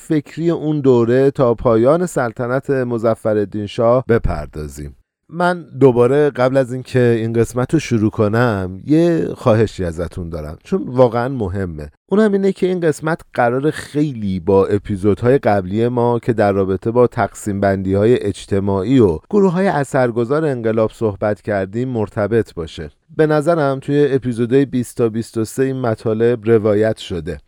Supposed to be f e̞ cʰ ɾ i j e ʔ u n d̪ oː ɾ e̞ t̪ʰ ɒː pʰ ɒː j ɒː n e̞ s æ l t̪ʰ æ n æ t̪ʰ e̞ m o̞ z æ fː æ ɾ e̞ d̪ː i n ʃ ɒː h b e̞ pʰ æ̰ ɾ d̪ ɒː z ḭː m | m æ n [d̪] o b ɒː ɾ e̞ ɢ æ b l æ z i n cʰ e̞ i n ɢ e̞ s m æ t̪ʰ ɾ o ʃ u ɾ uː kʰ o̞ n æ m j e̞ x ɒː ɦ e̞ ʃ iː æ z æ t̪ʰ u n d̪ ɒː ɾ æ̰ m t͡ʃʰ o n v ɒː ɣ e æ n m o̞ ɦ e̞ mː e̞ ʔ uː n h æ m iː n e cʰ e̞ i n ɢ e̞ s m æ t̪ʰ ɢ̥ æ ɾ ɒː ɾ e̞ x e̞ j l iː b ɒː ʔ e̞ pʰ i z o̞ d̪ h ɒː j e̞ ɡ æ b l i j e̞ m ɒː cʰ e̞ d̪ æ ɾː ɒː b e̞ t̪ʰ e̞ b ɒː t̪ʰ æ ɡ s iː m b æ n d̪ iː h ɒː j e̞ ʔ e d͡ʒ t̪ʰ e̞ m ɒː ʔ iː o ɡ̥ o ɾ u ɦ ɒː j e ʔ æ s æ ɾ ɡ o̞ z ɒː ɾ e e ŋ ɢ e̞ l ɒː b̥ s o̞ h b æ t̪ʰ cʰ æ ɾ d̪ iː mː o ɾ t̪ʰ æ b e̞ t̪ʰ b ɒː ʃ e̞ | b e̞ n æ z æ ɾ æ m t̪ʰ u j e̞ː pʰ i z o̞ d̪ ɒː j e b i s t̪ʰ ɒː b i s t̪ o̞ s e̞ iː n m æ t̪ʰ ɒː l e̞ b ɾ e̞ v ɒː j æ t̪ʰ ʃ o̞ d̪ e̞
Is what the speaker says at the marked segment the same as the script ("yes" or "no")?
yes